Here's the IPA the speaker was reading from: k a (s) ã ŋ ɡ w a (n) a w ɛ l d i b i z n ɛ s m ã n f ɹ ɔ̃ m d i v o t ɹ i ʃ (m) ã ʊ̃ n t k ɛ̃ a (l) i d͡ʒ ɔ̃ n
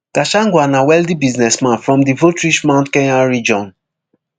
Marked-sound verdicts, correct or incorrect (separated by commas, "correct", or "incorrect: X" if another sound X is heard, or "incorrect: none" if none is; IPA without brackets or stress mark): incorrect: ʃ, correct, correct, incorrect: ɹ